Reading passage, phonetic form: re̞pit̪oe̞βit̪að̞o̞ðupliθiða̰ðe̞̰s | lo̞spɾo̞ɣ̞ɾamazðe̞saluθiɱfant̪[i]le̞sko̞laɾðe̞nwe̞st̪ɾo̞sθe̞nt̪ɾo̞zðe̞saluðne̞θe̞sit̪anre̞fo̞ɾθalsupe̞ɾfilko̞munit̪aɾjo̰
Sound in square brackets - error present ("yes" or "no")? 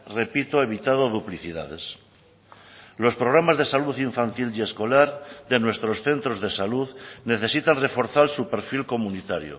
no